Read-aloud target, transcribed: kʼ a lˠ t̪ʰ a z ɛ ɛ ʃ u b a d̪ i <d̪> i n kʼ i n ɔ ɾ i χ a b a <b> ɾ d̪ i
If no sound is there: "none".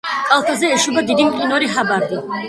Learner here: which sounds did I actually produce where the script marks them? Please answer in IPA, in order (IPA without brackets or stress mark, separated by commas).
d̪, none